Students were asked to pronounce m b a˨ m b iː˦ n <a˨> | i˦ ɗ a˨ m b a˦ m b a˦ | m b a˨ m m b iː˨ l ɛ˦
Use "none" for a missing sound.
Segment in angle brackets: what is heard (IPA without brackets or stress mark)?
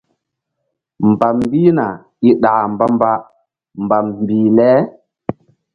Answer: a˨